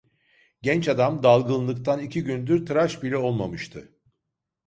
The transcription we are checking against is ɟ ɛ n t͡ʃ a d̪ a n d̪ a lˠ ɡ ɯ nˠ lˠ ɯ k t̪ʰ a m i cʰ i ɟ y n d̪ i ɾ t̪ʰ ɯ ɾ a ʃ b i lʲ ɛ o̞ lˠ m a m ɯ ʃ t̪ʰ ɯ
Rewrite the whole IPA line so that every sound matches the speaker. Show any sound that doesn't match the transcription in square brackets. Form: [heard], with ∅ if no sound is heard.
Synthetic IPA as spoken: ɟ ɛ n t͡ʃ a d̪ a [m] d̪ a lˠ ɡ ɯ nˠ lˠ ɯ k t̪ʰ a [n] i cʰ i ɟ y n d̪ [y] ɾ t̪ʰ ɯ ɾ a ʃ b i lʲ ɛ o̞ lˠ m a m ɯ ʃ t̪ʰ ɯ

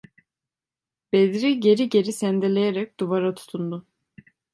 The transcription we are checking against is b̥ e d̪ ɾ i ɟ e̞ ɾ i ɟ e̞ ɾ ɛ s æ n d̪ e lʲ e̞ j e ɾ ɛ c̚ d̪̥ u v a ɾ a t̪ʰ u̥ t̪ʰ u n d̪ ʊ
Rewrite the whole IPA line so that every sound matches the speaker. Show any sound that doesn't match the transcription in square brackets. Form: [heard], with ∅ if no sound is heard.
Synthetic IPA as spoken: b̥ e d̪ ɾ i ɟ e̞ ɾ i ɟ e̞ ɾ [i] s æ n d̪ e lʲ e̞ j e ɾ ɛ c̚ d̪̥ u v a ɾ a t̪ʰ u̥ t̪ʰ u n d̪ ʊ

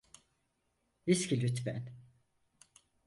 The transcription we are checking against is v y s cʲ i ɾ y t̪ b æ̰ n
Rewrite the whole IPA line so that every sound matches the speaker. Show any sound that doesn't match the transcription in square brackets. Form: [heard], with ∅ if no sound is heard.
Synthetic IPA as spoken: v [i] s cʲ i [l] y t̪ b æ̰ n

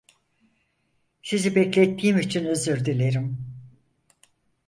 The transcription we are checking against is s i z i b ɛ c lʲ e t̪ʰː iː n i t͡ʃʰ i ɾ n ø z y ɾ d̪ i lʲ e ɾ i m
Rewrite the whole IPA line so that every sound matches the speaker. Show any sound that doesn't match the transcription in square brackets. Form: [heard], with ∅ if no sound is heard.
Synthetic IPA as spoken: s i z i b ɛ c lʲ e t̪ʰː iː [m] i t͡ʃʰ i [∅] n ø z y ɾ d̪ i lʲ e ɾ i m

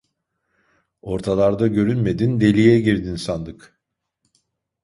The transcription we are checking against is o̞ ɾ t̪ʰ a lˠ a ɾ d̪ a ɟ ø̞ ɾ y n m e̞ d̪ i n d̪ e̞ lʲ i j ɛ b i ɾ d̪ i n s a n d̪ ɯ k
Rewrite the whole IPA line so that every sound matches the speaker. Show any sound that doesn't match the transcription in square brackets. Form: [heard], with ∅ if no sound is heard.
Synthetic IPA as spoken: o̞ ɾ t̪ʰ a lˠ a ɾ d̪ a ɟ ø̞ ɾ y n m e̞ d̪ i n d̪ e̞ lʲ i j ɛ [ɟ] i ɾ d̪ i n s a n d̪ ɯ k

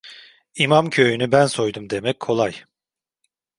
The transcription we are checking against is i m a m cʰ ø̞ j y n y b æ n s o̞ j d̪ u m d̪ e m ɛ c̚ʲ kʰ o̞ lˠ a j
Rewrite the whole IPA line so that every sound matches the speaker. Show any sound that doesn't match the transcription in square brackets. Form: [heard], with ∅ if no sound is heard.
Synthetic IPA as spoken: i m a m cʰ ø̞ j y n y b æ n s o̞ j d̪ u m d̪ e m ɛ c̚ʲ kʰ o̞ lˠ a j

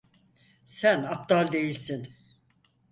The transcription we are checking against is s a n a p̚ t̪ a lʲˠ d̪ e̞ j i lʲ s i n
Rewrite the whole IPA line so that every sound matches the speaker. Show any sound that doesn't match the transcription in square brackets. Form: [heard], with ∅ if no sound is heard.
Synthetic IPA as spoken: s [æ] n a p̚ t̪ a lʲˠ d̪ e̞ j i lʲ s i n

